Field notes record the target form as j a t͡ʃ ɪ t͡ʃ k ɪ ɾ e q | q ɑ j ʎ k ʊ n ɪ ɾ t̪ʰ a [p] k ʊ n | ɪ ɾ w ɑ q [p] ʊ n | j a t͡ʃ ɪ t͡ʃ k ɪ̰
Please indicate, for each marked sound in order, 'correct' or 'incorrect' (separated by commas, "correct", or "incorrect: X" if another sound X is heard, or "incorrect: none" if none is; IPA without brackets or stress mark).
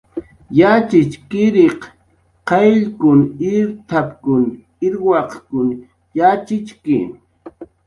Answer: correct, incorrect: k